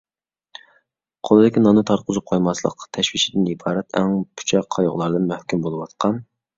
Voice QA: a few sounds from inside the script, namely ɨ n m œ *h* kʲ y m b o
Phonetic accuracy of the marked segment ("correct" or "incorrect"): correct